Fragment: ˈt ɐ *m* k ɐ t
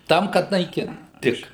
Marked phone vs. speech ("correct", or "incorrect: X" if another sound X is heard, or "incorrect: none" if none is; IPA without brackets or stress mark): correct